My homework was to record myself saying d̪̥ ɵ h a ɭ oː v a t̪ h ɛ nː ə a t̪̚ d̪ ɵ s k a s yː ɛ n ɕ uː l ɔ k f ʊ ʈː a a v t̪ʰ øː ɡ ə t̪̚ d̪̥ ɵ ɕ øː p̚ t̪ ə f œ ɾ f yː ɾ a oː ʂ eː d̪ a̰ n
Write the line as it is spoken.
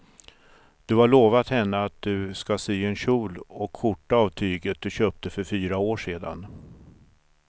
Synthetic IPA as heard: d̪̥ ɵ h a ɭ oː v a t̪ h ɛ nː ə a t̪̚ d̪ ɵ s k a s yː ɛ n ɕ uː l ɔ k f ʊ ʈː a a v t̪ʰ yː ɡ ə t̪̚ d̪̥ ɵ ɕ øː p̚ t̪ ə f œ ɾ f yː ɾ a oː ʂ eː d̪ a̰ n